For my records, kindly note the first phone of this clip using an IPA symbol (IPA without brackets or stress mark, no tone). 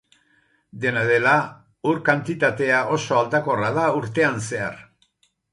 d̪